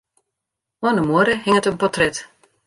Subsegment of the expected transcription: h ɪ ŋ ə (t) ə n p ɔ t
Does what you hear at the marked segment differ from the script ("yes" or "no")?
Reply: no